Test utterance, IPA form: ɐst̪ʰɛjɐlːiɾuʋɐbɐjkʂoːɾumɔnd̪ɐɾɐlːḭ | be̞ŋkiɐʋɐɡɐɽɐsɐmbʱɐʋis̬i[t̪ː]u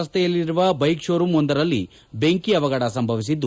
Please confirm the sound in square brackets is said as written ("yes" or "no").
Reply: no